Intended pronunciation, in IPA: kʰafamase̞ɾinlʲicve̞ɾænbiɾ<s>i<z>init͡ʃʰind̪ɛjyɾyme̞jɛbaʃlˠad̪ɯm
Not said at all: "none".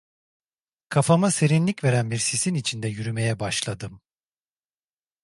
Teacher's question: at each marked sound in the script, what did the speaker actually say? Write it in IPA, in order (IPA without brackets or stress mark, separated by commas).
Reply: s, s